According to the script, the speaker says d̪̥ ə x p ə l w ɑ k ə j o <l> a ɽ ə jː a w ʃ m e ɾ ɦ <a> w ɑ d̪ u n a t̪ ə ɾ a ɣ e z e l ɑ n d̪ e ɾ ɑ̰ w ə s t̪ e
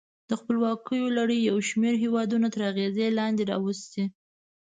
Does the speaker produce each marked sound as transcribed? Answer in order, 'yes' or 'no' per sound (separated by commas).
yes, no